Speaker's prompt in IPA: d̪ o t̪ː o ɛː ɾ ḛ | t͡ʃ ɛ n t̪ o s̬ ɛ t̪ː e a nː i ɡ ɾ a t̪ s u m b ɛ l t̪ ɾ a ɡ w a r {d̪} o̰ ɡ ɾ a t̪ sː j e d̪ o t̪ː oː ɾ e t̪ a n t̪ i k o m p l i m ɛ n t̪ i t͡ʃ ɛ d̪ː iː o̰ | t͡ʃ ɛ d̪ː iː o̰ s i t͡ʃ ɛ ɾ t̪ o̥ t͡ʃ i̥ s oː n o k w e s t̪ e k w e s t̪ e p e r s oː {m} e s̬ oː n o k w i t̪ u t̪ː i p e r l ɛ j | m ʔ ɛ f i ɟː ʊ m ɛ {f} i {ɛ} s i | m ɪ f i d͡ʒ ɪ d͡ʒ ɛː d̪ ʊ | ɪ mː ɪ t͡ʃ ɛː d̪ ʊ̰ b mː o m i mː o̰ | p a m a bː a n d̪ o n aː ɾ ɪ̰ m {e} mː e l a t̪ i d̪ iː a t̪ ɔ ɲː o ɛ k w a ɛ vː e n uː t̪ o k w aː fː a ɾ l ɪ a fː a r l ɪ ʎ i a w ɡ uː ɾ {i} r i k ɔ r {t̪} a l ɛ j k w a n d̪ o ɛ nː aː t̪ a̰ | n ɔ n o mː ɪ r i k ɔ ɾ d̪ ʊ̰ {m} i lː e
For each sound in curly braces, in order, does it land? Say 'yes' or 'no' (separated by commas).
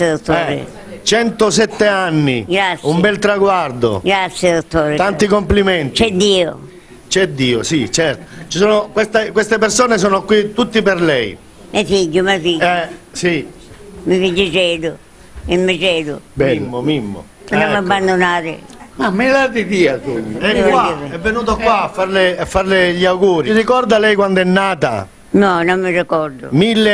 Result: yes, no, yes, yes, no, yes, no, yes